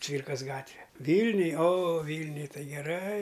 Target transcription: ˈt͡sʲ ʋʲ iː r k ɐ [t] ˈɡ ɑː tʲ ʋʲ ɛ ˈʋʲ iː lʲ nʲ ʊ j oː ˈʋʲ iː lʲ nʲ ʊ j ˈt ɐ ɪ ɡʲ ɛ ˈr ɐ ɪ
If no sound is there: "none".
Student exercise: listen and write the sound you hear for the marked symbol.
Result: s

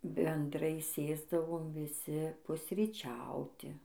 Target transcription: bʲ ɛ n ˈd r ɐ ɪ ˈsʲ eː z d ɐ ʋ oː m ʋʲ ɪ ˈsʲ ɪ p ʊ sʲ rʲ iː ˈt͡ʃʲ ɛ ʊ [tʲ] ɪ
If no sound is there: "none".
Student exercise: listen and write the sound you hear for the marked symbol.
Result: tʲ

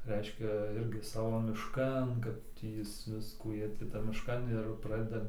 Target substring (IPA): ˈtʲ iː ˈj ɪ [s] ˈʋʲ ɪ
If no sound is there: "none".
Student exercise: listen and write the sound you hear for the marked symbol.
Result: s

